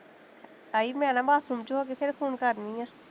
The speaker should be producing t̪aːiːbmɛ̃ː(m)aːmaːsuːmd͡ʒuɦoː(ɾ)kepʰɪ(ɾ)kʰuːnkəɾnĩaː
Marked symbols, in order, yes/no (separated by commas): no, no, yes